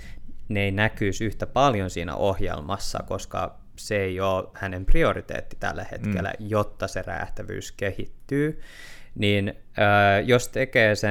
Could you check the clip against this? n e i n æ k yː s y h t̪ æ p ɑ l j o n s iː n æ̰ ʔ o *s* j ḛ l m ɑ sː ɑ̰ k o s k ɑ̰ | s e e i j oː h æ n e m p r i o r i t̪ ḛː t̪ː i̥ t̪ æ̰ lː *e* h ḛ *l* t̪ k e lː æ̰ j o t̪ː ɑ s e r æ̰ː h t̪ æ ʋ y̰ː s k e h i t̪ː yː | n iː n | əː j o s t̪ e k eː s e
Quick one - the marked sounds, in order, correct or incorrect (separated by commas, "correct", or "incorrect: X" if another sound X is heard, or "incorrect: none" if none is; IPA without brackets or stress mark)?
incorrect: h, incorrect: æ, incorrect: none